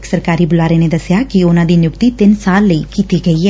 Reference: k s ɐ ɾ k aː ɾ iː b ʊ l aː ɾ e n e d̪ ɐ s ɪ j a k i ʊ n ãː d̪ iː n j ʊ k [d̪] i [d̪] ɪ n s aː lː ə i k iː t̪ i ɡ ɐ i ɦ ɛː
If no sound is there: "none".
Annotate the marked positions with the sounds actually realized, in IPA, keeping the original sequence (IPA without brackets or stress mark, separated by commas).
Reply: t̪, t̪